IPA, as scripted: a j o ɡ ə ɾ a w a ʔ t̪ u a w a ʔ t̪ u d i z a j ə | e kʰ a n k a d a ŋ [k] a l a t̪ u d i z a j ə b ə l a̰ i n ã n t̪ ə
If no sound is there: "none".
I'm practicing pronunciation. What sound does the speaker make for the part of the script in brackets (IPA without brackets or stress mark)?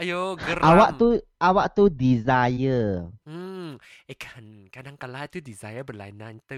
k